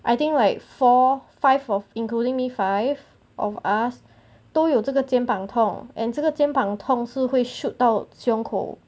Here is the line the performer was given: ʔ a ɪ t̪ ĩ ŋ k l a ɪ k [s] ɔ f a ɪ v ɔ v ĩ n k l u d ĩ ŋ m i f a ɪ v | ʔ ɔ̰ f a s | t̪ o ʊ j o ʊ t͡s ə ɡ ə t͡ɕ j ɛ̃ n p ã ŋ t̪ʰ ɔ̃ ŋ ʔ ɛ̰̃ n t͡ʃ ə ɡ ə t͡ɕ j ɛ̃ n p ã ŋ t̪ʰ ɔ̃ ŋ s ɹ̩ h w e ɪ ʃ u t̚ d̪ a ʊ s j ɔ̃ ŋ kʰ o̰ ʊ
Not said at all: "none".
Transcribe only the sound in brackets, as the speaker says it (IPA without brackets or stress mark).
f